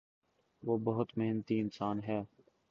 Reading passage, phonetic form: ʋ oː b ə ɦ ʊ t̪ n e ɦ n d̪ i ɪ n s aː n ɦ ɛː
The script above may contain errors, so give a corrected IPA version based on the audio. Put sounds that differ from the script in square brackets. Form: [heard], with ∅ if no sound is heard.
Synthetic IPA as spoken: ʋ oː b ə ɦ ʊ t̪ [m] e ɦ n [t̪] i ɪ n s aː n ɦ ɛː